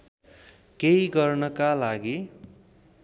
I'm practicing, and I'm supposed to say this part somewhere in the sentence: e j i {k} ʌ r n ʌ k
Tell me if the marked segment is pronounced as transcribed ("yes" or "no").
no